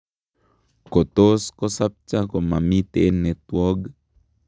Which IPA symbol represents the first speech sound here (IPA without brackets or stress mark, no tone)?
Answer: k